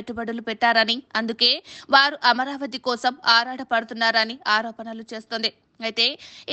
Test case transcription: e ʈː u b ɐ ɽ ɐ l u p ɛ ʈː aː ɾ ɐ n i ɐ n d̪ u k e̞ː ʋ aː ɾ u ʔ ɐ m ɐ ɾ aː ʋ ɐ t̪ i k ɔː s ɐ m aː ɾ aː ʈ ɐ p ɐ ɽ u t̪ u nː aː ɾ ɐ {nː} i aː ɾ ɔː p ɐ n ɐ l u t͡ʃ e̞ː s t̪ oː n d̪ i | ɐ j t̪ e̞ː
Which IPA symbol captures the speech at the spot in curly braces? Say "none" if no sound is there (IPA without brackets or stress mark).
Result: n